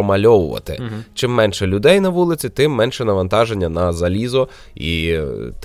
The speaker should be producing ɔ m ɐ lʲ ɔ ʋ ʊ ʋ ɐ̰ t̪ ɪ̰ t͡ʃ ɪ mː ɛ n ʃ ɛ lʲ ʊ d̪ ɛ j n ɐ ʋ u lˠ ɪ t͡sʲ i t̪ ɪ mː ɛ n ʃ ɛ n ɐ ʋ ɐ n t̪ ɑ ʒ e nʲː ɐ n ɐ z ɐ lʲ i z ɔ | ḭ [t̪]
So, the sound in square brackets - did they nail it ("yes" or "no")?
yes